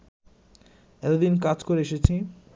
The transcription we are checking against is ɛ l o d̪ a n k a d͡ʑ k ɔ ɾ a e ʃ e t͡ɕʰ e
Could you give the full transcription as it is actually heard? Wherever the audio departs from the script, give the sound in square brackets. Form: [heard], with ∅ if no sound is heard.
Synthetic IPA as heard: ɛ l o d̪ [i] n k a d͡ʑ k [o] ɾ [e] e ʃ e t͡ɕʰ [i]